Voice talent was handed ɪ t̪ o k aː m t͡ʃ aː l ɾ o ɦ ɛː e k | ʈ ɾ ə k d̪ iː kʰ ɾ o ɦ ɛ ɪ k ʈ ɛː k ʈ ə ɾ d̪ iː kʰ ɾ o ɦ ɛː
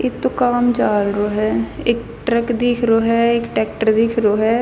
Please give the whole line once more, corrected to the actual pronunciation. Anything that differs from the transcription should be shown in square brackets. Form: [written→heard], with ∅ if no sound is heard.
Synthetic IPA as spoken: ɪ t̪ o k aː m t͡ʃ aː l ɾ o ɦ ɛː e k | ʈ ɾ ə k d̪ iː kʰ ɾ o ɦ ɛ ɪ k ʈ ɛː k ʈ ə ɾ d̪ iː kʰ ɾ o ɦ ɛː